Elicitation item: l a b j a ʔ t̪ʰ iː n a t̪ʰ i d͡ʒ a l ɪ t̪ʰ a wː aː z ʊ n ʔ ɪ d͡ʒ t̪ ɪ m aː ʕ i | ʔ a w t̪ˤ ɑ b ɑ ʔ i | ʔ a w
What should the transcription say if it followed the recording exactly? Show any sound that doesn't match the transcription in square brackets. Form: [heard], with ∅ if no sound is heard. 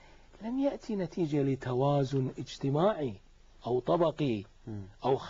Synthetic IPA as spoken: l a [m] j a ʔ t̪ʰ [i] n a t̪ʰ [iː] d͡ʒ a l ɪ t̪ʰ a [w] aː z ʊ n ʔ ɪ d͡ʒ t̪ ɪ m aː ʕ i | ʔ a w t̪ˤ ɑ b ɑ [q] i | ʔ a w